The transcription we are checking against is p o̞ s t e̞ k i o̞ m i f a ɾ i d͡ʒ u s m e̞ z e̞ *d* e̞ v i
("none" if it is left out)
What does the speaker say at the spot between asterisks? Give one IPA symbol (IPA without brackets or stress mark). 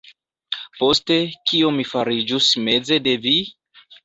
d